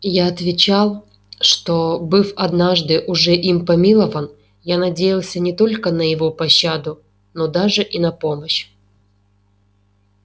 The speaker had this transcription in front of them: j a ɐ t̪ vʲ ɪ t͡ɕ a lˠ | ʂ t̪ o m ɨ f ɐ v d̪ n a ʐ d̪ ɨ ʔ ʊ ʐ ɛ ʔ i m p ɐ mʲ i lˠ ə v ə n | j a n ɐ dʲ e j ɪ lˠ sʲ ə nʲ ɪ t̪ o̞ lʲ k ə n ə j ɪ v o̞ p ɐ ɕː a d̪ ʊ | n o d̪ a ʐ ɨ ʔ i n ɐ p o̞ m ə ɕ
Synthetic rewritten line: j a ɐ t̪ vʲ ɪ t͡ɕ a lˠ | ʂ t̪ o b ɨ f ɐ d̪ n a ʐ d̪ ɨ ʔ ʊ ʐ ɛ ʔ i m p ɐ mʲ i lˠ ə v ə n | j a n ɐ dʲ e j ɪ lˠ sʲ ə nʲ ɪ t̪ o̞ lʲ k ə n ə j ɪ v o̞ p ɐ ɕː a d̪ ʊ | n o d̪ a ʐ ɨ ʔ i n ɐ p o̞ m ə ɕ